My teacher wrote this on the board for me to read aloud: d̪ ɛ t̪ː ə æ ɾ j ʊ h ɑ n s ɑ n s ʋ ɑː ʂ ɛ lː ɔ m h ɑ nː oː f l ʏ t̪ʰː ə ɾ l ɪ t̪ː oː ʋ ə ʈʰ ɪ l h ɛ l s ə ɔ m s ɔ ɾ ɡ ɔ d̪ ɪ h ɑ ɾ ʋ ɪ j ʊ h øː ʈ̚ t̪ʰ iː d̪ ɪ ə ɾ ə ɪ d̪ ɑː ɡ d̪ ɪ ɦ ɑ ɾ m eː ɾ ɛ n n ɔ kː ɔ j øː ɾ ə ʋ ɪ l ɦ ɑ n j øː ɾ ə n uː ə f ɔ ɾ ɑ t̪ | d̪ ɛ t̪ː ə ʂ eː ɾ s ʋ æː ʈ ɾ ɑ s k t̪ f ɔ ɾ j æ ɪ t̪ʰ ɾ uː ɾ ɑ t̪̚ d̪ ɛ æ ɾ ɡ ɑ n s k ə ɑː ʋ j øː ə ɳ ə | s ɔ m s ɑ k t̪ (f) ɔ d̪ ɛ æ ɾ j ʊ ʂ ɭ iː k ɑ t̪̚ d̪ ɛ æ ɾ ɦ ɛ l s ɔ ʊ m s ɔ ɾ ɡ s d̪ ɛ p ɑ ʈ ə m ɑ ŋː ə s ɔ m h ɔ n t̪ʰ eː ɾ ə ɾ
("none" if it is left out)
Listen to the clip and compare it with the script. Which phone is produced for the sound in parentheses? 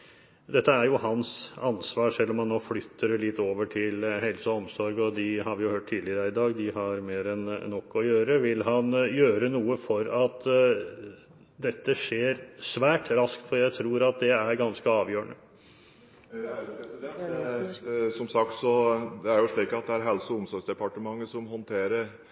s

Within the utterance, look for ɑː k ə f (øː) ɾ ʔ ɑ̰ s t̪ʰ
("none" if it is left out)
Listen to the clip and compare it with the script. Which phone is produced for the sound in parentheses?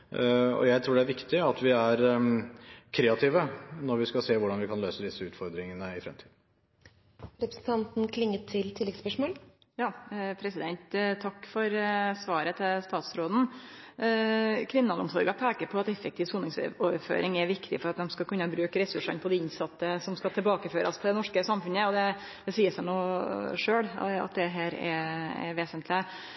øː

